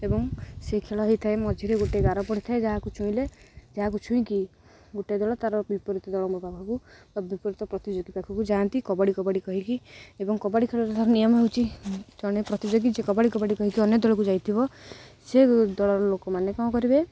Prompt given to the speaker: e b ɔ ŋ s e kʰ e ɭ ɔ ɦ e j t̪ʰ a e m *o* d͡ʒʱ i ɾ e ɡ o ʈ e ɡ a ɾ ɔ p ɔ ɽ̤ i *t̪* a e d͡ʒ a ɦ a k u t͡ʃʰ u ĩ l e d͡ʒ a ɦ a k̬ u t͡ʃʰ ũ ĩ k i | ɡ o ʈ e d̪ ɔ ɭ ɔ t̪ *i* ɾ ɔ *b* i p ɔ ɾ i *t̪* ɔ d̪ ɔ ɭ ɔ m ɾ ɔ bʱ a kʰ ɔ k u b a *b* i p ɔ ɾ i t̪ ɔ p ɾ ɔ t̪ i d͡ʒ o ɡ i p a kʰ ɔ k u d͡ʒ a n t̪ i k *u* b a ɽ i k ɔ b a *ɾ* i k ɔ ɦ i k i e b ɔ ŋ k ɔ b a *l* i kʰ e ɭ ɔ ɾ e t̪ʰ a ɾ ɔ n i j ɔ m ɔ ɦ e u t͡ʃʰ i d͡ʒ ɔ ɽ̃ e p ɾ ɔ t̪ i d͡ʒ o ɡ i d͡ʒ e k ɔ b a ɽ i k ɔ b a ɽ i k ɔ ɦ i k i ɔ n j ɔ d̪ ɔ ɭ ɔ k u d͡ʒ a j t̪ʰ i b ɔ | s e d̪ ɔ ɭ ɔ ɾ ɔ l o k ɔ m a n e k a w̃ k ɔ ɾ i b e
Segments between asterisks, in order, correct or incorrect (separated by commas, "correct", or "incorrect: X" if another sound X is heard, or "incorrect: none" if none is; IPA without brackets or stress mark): incorrect: ɔ, incorrect: t̪ʰ, incorrect: a, correct, correct, correct, incorrect: ɔ, incorrect: ɽ, incorrect: ɽ